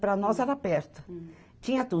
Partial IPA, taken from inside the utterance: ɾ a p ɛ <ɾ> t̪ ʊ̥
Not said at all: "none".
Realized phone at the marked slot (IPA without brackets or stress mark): ɾ